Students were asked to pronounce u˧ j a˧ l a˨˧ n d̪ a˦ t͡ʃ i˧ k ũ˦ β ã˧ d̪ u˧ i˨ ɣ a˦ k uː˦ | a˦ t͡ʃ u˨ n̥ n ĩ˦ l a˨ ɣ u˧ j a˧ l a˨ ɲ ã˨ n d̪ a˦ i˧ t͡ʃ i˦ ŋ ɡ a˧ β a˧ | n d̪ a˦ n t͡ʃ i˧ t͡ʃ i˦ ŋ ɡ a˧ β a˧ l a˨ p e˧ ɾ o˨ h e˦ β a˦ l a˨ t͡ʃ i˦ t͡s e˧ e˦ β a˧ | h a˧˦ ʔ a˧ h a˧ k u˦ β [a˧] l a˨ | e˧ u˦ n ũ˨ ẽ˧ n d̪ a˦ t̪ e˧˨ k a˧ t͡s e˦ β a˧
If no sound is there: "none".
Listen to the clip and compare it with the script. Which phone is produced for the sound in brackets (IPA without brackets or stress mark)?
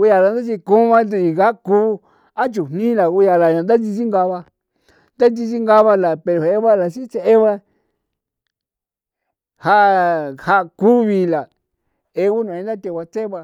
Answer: i˧